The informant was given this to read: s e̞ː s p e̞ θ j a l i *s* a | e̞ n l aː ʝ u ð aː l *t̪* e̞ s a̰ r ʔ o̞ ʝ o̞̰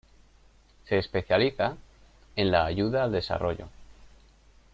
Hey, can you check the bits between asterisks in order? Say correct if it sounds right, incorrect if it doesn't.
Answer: incorrect: θ, incorrect: d̪

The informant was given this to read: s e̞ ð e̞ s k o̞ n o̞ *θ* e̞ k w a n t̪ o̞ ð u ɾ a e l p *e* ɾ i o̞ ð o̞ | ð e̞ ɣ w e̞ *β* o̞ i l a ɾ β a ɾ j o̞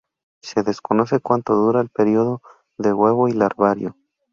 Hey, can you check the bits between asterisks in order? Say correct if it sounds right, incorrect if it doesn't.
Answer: incorrect: s, correct, correct

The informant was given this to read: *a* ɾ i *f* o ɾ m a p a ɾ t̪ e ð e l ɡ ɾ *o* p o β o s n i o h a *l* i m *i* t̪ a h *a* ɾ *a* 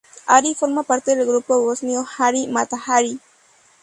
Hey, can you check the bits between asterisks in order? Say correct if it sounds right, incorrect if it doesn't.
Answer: correct, correct, incorrect: u, incorrect: ɾ, incorrect: a, correct, incorrect: i

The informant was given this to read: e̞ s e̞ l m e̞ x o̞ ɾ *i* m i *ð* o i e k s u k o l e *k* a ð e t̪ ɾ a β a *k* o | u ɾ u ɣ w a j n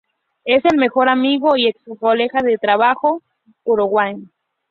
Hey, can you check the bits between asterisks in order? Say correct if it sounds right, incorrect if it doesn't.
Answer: incorrect: a, incorrect: ɣ, incorrect: x, incorrect: x

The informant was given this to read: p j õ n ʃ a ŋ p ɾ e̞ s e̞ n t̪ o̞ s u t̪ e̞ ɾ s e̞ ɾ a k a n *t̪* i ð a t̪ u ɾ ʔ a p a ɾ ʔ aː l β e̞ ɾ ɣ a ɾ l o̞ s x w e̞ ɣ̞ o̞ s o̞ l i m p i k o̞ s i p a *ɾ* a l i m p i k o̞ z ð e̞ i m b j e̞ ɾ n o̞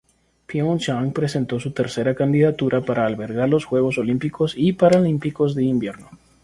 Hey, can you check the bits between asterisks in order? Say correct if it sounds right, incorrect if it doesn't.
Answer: incorrect: d̪, correct

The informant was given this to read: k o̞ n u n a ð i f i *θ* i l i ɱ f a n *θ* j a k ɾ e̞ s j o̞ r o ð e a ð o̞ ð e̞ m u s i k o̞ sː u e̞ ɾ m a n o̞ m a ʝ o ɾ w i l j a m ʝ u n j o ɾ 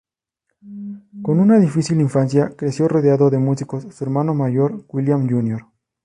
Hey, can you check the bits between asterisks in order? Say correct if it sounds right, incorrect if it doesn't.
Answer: incorrect: s, incorrect: s

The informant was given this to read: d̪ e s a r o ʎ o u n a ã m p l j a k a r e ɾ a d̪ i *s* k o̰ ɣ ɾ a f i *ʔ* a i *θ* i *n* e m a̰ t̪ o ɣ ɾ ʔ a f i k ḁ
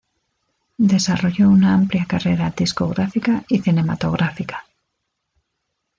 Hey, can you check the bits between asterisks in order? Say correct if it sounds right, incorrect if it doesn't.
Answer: correct, incorrect: k, correct, correct

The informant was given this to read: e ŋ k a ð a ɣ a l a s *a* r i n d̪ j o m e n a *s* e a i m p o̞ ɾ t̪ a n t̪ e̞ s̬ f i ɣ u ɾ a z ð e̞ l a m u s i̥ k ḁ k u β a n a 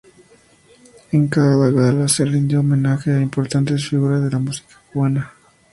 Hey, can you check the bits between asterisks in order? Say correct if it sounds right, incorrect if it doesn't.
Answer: incorrect: e, incorrect: x

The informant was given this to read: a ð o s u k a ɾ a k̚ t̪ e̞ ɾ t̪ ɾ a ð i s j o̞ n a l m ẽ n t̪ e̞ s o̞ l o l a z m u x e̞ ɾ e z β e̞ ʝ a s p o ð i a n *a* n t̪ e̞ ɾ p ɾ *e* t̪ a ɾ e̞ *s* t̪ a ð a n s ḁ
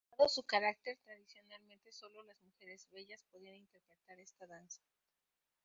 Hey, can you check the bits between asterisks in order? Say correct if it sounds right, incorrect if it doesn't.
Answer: incorrect: i, correct, correct

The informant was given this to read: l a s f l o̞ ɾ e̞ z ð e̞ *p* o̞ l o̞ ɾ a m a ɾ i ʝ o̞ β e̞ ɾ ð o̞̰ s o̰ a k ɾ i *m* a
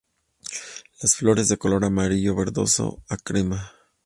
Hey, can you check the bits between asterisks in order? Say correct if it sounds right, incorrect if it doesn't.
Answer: incorrect: k, correct

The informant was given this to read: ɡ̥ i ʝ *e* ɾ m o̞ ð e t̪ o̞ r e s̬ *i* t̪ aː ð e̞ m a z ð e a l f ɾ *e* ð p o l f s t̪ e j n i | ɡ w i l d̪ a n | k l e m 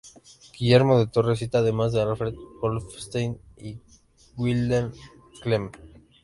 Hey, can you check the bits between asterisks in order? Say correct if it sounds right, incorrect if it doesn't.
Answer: correct, correct, correct

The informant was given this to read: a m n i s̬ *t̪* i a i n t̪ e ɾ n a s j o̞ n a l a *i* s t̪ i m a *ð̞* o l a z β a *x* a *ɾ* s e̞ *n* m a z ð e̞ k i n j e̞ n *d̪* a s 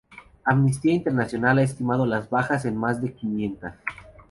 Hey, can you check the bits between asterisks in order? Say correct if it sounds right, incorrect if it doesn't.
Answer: correct, incorrect: e, correct, correct, incorrect: none, correct, incorrect: t̪

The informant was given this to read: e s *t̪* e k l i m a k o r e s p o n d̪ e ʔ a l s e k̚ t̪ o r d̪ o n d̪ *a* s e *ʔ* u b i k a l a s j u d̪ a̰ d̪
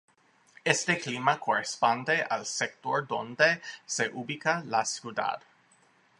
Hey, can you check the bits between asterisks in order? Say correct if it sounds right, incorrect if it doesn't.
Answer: correct, incorrect: e, correct

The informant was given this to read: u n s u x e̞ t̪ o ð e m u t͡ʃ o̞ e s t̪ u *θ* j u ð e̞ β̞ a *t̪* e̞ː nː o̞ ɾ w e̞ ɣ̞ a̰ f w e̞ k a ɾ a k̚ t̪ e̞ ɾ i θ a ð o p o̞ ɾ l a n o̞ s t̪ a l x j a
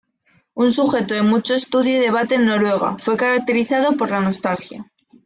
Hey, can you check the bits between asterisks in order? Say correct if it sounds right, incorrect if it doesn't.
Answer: incorrect: ð, correct

